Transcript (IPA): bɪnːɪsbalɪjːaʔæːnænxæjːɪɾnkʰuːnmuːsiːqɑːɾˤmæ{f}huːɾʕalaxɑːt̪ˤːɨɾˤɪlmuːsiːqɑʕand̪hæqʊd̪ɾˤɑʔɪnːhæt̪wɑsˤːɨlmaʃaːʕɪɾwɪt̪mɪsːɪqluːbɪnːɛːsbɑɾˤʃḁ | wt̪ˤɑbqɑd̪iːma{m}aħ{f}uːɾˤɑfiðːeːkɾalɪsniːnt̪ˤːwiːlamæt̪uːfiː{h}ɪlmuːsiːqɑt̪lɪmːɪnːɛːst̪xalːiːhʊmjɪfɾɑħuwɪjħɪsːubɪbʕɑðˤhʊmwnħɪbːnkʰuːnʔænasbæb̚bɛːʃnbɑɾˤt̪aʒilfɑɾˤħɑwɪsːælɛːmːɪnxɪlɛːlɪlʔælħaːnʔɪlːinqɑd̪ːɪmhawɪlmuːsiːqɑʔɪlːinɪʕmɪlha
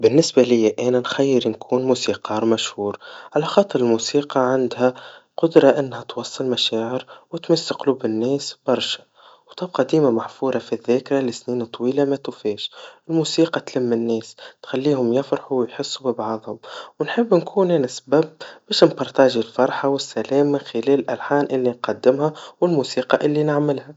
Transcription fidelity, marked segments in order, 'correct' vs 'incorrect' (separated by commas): incorrect, correct, correct, incorrect